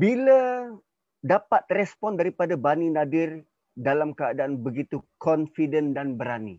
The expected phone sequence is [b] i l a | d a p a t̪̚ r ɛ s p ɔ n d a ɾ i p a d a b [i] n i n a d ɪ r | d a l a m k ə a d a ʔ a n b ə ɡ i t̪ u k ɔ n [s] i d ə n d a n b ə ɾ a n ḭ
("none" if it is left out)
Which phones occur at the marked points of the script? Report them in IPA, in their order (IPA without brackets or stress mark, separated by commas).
b, a, f